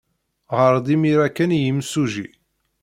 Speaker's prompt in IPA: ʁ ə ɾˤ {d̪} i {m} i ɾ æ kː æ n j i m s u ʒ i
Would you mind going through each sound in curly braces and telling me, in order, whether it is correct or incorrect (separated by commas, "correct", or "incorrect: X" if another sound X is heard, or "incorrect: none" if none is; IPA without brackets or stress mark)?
correct, correct